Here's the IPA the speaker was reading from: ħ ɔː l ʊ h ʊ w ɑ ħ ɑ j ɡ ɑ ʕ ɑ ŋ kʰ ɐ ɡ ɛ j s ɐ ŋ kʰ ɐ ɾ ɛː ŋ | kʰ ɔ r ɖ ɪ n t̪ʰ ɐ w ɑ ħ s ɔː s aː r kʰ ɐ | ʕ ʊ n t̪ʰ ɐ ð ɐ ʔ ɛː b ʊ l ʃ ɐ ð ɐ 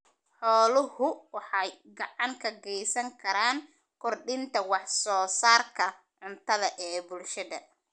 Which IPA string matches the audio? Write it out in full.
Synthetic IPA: ħ ɔː l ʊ h ʊ w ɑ ħ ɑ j ɡ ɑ ʕ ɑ ŋ kʰ ɐ ɡ ɛ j s ɐ ŋ kʰ ɐ ɾ aː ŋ | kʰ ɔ r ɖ ɪ n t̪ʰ ɐ w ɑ ħ s ɔː s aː r kʰ ɐ | ʕ ʊ n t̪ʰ ɐ ð ɐ ʔ ɛː b ʊ l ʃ ɐ ð ɐ